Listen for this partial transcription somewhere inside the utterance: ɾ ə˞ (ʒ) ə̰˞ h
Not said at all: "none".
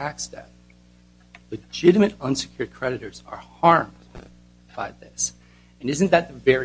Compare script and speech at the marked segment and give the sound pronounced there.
z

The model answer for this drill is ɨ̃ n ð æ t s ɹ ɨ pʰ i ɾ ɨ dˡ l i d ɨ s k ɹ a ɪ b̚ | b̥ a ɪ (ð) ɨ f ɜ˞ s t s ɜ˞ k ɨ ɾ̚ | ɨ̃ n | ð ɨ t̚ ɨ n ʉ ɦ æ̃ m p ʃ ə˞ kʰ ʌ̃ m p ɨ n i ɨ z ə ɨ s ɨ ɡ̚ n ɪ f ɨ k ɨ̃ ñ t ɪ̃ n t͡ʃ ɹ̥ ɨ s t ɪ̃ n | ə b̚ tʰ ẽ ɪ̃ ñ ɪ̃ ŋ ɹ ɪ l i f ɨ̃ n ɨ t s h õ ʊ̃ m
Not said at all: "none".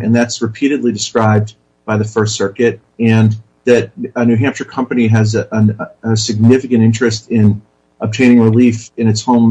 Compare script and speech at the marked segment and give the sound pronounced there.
ð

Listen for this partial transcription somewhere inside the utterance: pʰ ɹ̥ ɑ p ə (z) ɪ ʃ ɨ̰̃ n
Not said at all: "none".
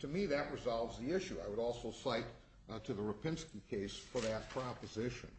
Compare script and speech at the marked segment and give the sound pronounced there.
z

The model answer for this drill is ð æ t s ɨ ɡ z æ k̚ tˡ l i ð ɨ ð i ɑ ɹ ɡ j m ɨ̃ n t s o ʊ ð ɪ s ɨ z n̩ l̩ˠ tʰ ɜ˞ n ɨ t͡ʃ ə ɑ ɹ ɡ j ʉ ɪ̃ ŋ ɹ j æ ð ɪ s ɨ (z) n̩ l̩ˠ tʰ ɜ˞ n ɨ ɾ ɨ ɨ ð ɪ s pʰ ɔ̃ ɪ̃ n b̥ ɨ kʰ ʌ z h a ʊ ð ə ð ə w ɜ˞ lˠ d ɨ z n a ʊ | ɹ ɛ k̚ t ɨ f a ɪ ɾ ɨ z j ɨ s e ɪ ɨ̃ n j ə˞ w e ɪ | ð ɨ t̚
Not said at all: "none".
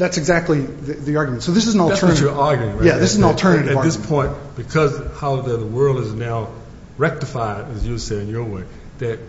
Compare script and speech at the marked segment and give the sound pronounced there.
z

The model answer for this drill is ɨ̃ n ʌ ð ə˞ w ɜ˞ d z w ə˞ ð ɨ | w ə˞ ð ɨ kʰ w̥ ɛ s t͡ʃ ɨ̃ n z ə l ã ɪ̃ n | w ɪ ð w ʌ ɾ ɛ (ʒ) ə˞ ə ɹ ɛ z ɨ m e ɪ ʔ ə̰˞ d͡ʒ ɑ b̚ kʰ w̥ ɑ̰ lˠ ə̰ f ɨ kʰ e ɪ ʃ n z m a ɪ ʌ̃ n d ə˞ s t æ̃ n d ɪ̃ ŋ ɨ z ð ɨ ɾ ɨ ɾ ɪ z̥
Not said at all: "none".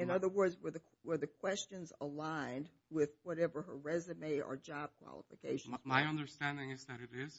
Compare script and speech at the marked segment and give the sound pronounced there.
v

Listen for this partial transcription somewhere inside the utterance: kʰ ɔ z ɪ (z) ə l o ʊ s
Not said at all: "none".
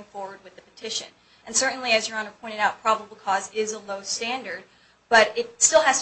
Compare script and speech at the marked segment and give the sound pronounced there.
z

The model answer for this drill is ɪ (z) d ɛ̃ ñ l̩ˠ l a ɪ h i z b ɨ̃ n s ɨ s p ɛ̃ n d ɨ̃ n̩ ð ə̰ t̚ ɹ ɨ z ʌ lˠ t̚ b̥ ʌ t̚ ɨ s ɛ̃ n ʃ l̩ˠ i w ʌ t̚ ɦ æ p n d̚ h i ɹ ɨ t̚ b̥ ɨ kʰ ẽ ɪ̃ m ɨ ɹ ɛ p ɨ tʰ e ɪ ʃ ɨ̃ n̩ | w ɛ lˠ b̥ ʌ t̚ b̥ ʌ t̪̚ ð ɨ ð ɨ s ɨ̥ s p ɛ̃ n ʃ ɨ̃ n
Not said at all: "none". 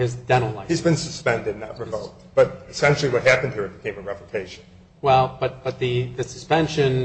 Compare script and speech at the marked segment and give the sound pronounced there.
z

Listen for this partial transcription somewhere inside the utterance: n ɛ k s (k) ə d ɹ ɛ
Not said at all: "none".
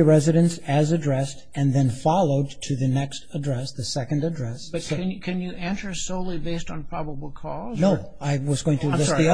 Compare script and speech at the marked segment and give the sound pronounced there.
t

